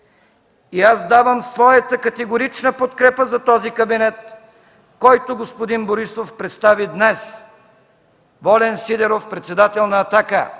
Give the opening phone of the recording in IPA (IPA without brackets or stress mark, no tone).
i